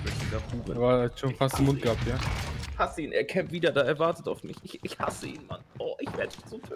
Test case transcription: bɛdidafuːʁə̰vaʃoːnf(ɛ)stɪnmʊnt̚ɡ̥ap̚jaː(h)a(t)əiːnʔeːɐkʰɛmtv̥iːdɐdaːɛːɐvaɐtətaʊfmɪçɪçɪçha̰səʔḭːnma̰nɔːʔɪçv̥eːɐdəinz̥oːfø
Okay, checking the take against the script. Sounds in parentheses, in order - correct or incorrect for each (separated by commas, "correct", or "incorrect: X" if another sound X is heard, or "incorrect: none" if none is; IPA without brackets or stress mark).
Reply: incorrect: a, correct, incorrect: s